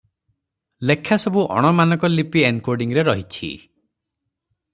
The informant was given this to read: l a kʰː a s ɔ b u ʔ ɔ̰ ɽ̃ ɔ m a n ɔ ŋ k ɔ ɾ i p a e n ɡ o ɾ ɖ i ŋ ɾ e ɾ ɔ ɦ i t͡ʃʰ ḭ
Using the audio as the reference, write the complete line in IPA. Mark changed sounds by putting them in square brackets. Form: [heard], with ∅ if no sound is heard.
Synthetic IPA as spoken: l [e] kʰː a s ɔ b u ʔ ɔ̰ ɽ̃ ɔ m a n ɔ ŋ k ɔ [l] i p [i] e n [k] o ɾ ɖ i ŋ ɾ e ɾ ɔ ɦ i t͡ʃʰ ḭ

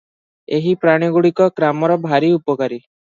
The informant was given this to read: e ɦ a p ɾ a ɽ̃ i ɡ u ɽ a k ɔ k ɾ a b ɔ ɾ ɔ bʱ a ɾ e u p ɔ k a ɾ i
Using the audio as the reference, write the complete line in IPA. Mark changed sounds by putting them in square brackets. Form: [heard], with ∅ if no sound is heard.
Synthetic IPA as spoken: e ɦ [i] p ɾ a ɽ̃ i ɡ u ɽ [i] k ɔ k ɾ a [m] ɔ ɾ ɔ bʱ a ɾ [i] u p ɔ k a ɾ i

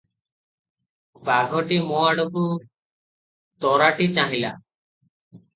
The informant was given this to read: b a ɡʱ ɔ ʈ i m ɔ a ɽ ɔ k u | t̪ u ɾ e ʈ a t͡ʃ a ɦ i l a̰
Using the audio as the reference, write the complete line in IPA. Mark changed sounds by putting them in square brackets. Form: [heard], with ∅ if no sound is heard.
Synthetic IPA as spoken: b a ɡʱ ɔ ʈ i m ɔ a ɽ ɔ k u | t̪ [ɔ] ɾ [a] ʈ [i] t͡ʃ a ɦ i l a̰

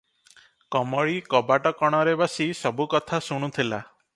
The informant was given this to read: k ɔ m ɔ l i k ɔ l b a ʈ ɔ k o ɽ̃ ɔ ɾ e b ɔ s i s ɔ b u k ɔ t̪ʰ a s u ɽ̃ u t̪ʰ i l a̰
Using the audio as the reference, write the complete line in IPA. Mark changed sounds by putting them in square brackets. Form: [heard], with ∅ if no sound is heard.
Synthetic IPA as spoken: k ɔ m ɔ [ɭ] i k ɔ [∅] b a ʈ ɔ k [ɔ] ɽ̃ ɔ ɾ e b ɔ s i s ɔ b u k ɔ t̪ʰ a s u ɽ̃ u t̪ʰ i l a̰

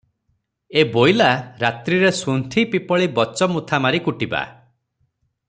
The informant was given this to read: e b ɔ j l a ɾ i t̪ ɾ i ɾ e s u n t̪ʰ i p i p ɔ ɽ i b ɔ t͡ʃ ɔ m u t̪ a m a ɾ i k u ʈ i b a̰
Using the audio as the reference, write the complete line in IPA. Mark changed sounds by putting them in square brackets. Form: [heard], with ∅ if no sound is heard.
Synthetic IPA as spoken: e b [o] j l a ɾ [a] t̪ ɾ i ɾ e s u n t̪ʰ i p i p ɔ [ɭ] i b ɔ t͡ʃ ɔ m u [t̪ʰ] a m a ɾ i k u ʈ i b a̰

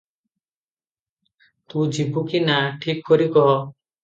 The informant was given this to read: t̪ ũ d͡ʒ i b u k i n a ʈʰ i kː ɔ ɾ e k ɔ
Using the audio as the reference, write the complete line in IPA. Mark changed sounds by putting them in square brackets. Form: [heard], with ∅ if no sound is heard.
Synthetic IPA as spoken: t̪ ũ d͡ʒ i b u k i n a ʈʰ i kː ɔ ɾ [i] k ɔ

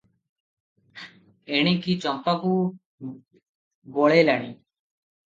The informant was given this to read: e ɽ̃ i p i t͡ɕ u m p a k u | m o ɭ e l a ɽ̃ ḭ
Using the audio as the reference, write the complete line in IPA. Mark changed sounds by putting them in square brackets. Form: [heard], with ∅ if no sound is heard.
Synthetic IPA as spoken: e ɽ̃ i [k] i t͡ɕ [ɔ] m p a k u | [b] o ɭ e l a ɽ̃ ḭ

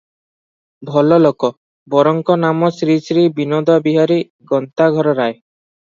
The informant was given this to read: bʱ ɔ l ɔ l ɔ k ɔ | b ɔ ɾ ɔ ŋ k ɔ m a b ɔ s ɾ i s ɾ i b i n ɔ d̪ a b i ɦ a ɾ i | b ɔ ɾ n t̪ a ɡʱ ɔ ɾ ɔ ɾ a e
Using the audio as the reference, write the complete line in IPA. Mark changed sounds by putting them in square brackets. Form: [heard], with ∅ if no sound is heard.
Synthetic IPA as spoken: bʱ ɔ l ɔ l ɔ k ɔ | b ɔ ɾ ɔ ŋ k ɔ [n] a [m] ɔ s ɾ i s ɾ i b i n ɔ d̪ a b i ɦ a ɾ i | [ɡ] ɔ [∅] n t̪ a ɡʱ ɔ ɾ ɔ ɾ a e

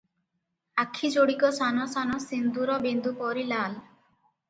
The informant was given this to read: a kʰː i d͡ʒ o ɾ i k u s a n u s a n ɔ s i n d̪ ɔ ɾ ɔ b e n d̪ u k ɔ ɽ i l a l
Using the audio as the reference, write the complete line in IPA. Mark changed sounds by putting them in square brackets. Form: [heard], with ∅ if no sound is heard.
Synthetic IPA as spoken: a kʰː i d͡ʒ o [ɽ] i k [ɔ] s a n [ɔ] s a n ɔ s i n d̪ [u] ɾ ɔ b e n d̪ u [p] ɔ [ɾ] i l a l

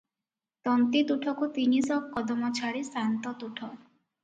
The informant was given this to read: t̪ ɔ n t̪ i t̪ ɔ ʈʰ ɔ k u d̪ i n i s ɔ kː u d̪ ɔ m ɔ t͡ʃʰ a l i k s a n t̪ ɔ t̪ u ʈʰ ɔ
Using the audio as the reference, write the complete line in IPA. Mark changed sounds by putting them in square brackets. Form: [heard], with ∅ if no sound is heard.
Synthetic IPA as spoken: t̪ ɔ n t̪ i t̪ [u] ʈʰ ɔ k u [t̪] i n i s ɔ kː [ɔ] d̪ ɔ m ɔ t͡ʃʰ a [ɾ] i [∅] s a n t̪ ɔ t̪ u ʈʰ ɔ

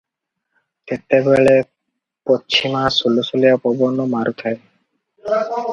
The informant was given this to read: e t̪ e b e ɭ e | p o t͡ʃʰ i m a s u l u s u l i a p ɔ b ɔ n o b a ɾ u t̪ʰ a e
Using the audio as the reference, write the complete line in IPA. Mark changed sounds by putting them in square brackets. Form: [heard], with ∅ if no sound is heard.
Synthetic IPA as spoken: e t̪ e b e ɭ e | p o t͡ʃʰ i m a s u l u s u l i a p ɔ b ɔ n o [m] a ɾ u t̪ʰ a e

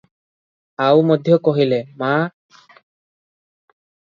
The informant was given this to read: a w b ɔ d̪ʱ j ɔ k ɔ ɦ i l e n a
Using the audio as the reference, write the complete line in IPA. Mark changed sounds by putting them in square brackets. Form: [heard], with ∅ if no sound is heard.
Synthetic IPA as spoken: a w [m] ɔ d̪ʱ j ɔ k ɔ ɦ i l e [m] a

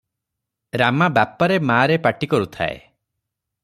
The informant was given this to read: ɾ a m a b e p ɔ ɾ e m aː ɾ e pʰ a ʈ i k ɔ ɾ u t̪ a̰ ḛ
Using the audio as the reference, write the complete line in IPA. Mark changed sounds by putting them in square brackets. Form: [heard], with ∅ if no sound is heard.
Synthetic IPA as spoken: ɾ a m a b [a] p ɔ ɾ e m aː ɾ e [p] a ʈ i k ɔ ɾ u [t̪ʰ] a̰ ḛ

